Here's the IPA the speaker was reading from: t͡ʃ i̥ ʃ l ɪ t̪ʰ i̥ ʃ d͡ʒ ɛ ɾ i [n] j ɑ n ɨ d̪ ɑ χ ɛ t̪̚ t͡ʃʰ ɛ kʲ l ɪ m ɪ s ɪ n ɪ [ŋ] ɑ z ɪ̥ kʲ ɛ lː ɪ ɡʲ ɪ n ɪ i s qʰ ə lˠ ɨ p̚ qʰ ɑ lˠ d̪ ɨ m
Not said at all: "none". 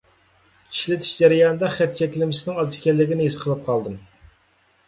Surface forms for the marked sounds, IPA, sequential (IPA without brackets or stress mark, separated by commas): none, ŋ